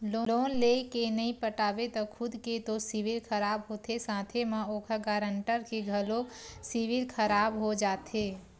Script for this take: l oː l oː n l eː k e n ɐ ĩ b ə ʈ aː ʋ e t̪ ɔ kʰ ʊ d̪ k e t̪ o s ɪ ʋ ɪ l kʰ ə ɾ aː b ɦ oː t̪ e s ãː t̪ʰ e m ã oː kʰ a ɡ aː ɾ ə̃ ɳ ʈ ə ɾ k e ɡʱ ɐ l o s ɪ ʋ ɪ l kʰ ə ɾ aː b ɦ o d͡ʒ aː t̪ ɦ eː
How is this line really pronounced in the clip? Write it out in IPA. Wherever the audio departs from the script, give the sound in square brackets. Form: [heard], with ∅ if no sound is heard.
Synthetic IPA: l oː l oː n l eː k e n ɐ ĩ [p] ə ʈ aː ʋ e t̪ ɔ kʰ ʊ d̪ k e t̪ o s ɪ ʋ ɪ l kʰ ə ɾ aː b ɦ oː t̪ e s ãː t̪ʰ e m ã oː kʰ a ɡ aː ɾ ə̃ ɳ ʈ ə ɾ k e ɡʱ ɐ l o s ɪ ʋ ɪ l kʰ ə ɾ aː b ɦ o d͡ʒ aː t̪ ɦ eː